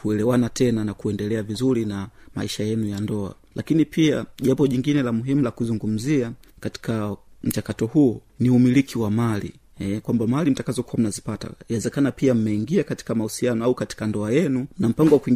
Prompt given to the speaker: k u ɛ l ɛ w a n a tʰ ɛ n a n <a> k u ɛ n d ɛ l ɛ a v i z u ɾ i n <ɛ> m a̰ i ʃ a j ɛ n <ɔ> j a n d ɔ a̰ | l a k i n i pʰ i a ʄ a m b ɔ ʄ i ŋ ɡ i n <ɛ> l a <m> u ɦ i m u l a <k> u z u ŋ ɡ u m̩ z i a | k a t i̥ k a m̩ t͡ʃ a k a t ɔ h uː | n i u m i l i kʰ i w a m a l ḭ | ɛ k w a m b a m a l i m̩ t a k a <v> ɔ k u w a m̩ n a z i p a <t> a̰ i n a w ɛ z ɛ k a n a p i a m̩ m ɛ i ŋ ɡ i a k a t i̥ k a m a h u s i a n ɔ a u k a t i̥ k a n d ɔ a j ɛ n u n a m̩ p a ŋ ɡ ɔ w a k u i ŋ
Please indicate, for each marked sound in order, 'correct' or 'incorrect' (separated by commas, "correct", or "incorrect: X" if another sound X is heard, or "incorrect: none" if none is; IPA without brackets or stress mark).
correct, incorrect: a, incorrect: u, correct, correct, correct, incorrect: z, correct